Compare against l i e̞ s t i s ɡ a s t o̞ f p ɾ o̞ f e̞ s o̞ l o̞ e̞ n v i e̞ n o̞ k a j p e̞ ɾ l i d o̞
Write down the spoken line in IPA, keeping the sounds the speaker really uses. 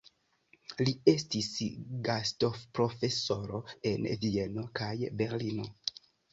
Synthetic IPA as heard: l i e̞ s t i s ɡ a s t o̞ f p ɾ o̞ f e̞ s o̞ ɾ o̞ e̞ n v i e̞ n o̞ k a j b e̞ ɾ l i n o̞